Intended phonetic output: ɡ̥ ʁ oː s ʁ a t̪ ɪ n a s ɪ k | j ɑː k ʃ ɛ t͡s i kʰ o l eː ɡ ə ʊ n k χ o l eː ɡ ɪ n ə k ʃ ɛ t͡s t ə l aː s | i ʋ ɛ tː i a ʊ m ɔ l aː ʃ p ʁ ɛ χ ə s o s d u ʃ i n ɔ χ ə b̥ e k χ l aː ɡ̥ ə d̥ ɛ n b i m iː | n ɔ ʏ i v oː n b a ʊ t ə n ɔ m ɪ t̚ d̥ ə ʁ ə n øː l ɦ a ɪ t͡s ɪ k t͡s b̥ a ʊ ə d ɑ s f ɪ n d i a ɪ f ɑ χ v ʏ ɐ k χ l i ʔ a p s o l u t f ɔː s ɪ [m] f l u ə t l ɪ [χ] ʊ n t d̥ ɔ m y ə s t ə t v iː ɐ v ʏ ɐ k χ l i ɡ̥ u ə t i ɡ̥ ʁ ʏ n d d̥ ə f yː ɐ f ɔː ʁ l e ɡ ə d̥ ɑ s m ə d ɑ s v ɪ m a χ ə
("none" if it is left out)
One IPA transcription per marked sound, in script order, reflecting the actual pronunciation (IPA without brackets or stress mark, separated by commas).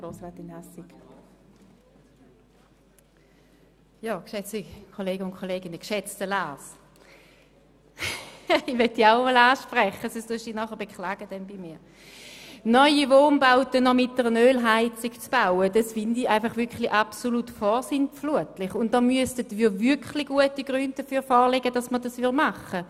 n, χ